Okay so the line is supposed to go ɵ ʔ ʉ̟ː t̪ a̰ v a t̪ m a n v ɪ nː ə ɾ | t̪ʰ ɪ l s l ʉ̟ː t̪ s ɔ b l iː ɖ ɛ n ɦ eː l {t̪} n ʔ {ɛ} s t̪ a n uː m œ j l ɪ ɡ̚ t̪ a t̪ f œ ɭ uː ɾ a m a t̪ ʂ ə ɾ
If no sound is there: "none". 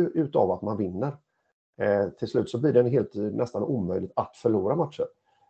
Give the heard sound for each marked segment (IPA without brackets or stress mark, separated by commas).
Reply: t̪, ɛ